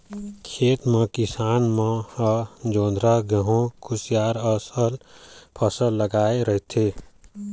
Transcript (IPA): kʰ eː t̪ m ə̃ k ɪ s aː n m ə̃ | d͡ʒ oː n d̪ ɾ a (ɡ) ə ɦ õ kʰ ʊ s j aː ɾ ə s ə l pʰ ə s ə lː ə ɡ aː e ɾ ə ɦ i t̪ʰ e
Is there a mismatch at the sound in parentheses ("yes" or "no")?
no